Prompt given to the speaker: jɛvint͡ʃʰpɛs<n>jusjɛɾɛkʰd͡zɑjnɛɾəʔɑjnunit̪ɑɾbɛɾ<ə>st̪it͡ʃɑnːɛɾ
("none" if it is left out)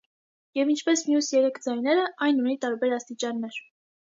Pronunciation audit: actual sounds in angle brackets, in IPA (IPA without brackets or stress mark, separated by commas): m, ɑ